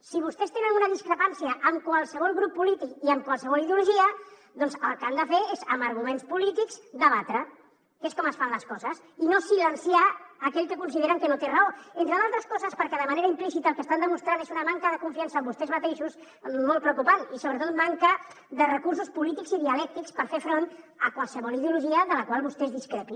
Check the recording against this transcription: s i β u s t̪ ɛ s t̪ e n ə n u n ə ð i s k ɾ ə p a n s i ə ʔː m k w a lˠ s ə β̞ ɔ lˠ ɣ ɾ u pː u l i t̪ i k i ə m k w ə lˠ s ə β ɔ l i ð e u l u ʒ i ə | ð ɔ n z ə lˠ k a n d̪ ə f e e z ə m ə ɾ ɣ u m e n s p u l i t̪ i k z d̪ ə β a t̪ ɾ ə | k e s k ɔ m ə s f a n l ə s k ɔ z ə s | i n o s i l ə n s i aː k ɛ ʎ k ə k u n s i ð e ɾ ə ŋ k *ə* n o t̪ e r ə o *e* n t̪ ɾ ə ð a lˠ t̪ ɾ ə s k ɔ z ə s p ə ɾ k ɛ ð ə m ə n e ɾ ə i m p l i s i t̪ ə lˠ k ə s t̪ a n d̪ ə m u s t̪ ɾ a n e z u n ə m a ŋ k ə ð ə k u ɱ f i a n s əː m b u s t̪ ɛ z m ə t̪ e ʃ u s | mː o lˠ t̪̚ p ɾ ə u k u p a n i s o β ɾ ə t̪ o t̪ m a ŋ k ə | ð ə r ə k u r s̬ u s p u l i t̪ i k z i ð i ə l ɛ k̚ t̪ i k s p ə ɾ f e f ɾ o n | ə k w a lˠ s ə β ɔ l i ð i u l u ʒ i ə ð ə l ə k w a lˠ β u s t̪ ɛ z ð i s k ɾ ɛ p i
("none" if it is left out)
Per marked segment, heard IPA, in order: ə, e

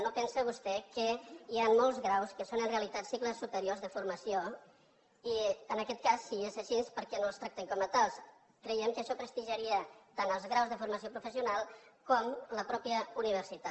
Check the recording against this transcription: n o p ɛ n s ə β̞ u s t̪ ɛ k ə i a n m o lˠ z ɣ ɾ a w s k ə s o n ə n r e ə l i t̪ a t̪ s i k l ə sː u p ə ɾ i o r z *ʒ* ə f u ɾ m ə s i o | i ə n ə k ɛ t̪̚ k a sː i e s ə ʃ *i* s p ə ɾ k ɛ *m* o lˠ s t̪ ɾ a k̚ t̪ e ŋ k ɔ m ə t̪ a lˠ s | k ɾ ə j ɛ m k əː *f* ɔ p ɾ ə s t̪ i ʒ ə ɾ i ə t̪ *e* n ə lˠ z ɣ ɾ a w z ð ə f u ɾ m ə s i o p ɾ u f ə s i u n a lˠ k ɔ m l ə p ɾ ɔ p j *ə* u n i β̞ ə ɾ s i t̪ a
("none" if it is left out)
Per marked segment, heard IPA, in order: ð, i, n, ʃ, a, ə

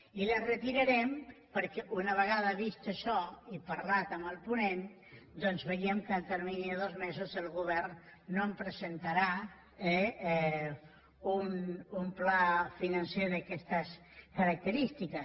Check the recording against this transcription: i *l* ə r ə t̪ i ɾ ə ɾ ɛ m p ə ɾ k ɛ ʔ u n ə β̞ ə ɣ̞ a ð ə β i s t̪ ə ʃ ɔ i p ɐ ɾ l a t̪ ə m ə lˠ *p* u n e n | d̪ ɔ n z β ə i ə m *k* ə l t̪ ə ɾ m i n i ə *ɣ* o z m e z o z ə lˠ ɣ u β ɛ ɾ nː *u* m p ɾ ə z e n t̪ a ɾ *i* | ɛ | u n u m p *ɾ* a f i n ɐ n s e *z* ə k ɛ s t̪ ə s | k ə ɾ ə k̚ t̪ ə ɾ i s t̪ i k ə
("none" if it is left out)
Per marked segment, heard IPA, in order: l, p, k, ð, o, a, l, ð

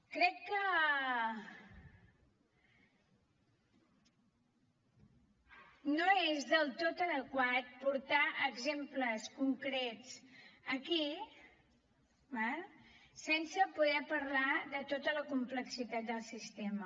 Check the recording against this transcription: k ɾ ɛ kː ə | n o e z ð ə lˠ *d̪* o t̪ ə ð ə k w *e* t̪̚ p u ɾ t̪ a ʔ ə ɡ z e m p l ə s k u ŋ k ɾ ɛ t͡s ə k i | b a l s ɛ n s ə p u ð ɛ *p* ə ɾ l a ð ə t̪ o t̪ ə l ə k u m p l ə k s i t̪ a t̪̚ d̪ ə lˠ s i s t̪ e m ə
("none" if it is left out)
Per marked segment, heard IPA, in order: t̪, a, p

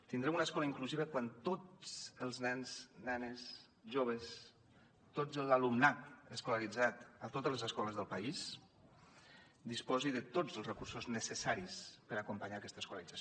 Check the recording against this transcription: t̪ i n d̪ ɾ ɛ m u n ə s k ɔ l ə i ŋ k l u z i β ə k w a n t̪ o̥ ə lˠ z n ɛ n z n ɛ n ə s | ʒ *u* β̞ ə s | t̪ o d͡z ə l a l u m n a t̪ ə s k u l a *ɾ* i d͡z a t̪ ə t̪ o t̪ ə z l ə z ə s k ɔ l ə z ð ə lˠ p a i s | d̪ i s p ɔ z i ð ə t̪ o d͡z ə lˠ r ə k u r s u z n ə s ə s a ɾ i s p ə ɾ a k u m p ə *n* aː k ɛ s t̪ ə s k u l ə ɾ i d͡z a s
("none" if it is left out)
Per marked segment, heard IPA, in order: o, ɾ, ɲ

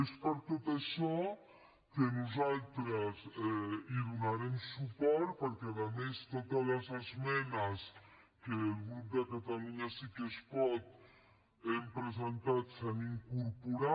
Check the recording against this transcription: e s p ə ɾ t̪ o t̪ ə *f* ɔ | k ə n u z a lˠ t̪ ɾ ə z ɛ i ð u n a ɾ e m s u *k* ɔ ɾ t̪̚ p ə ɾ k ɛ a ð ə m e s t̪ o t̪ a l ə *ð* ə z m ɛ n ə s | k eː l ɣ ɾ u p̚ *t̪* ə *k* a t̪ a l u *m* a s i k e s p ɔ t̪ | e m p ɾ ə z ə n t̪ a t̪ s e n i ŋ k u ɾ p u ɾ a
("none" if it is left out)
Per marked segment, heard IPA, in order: ʃ, p, z, d̪, k, ɲ

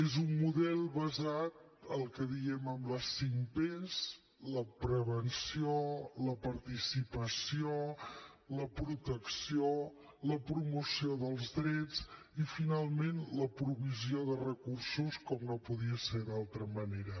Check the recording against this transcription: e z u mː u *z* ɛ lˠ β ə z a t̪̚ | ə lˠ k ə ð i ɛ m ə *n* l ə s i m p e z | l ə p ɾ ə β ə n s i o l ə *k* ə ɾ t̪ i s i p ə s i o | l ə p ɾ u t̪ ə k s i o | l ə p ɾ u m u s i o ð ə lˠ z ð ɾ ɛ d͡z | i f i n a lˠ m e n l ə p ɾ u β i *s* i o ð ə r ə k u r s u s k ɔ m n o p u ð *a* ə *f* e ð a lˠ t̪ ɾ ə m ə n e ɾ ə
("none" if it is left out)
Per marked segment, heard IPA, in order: ð, m, p, z, i, s

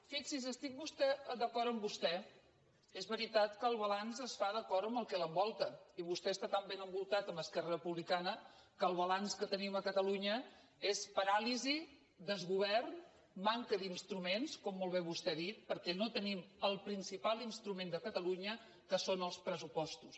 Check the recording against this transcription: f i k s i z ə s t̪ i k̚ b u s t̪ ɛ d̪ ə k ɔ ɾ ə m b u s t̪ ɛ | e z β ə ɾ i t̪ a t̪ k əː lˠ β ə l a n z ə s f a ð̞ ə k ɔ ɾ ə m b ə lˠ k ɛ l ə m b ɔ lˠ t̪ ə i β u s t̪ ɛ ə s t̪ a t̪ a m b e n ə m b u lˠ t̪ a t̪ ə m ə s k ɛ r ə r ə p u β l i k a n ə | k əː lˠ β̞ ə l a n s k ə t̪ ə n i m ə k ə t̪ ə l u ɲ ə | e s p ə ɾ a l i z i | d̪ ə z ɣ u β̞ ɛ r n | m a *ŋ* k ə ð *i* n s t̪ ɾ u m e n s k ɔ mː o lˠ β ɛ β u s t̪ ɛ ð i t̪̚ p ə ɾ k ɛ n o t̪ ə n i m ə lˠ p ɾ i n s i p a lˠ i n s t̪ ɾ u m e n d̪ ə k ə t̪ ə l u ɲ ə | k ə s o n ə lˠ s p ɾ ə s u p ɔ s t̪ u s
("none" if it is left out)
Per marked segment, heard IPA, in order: ŋ, i

